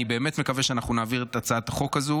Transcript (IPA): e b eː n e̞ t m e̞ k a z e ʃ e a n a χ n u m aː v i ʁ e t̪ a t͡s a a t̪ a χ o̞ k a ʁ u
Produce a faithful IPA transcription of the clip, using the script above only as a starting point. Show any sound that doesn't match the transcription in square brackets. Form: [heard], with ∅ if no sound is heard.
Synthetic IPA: [i] b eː [m] e̞ t m e̞ k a [v] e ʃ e a n a χ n u [n] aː v i ʁ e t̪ a t͡s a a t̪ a χ o̞ k a [z] u